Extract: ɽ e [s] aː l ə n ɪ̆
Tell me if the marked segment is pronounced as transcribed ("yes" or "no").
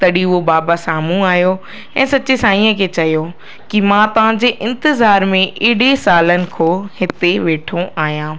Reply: yes